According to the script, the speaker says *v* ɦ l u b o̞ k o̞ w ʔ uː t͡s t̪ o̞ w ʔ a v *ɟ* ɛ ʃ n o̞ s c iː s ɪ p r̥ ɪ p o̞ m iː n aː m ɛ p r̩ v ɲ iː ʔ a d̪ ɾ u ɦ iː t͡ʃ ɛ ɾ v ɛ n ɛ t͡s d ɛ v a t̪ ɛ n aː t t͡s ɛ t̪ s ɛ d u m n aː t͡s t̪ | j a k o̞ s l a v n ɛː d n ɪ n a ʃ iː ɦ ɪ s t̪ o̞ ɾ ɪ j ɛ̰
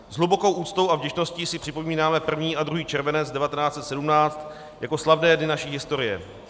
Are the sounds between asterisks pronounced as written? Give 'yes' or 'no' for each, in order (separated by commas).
no, yes